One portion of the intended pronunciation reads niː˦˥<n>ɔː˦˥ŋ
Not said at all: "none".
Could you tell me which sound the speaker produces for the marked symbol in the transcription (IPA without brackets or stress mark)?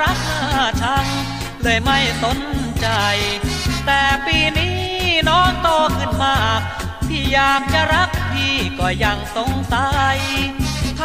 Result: n